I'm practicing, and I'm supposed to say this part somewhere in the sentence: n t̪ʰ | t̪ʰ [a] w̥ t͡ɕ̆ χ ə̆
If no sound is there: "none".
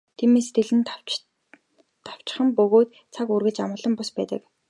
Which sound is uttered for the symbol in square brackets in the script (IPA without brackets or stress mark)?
a